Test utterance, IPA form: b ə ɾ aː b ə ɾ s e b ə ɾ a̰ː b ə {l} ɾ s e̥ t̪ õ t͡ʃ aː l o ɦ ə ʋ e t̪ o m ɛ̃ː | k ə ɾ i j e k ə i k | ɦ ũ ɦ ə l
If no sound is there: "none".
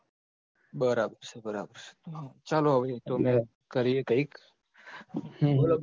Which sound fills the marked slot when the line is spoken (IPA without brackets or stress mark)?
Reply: none